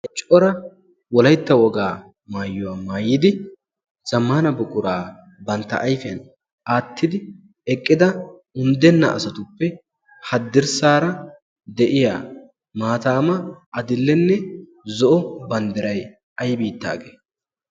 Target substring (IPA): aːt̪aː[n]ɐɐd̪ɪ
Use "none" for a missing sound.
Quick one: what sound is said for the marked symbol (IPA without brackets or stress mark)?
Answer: m